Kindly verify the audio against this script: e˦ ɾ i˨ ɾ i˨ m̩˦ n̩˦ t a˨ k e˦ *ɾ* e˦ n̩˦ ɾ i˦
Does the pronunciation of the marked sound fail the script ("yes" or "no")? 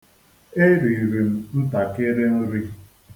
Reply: no